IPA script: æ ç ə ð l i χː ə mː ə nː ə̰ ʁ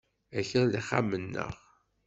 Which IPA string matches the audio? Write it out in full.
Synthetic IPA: æ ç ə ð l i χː a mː ə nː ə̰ ʁ

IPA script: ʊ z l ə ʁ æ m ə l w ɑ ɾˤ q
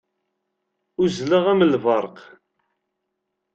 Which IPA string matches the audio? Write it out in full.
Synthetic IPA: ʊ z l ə ʁ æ m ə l v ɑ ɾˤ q

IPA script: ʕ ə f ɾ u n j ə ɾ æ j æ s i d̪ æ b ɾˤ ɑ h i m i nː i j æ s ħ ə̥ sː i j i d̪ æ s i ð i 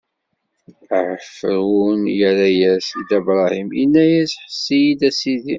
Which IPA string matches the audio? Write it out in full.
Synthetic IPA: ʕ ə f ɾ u n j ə ɾ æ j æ s i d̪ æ b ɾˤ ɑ h i m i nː æ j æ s ħ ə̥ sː i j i d̪ æ s i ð i

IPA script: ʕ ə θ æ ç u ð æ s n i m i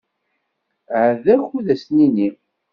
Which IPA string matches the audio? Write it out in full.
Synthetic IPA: ʕ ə ð æ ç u ð æ s n i n i

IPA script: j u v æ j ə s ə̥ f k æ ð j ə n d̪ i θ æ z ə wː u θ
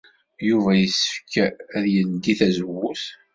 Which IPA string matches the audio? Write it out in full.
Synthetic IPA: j u v æ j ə s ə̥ f k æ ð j ə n d̪ i θ æ z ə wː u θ

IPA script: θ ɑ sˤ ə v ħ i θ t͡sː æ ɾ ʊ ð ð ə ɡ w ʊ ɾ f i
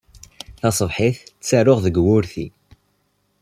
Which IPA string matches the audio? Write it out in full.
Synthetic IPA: θ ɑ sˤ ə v ħ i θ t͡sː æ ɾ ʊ ʁ ð ə ɡ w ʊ ɾ θ i

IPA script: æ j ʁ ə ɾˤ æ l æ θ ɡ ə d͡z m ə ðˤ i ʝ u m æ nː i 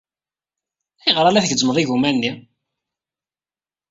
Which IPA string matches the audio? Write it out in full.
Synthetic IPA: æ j ʁ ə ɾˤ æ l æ θ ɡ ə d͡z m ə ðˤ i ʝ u m æ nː i

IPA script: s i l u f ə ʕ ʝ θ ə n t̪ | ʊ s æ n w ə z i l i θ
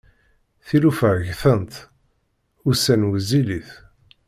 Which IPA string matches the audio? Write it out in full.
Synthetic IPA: θ i l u f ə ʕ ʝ θ ə n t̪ | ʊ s æ n w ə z i l i θ

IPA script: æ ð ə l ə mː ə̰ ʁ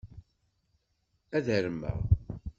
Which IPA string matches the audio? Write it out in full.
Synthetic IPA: æ ð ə ɾ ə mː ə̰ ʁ

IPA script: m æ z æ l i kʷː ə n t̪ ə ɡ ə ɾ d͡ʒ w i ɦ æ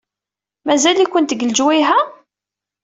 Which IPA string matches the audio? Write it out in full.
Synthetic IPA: m æ z æ l i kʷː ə n t̪ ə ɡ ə l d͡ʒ w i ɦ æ

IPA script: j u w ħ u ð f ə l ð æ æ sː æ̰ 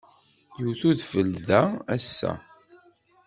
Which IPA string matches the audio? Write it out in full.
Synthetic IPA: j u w θ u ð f ə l ð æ æ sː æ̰

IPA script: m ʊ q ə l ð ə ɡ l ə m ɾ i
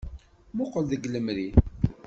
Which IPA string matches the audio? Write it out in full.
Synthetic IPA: m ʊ q ə l ð ə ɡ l ə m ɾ i

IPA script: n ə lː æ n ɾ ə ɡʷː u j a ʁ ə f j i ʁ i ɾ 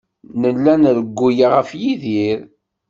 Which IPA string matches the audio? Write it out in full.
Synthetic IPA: n ə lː æ n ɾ ə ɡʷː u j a ʁ ə f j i ð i ɾ

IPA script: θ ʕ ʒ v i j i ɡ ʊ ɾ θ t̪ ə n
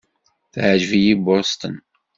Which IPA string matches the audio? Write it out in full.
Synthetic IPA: θ ʕ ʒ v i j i b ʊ ɾ s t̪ ə n

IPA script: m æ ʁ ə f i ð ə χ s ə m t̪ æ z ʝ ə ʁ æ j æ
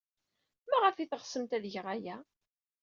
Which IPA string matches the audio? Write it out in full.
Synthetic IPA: m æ ʁ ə f i θ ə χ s ə m t̪ æ ð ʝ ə ʁ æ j æ

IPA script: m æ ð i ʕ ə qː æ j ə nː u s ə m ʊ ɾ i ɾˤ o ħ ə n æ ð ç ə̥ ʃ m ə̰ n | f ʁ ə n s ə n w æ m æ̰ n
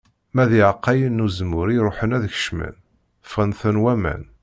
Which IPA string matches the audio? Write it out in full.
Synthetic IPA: m æ ð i ʕ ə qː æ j ə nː u z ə m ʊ ɾ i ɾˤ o ħ ə n æ ð ç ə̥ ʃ m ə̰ n | f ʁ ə n θ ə n w æ m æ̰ n

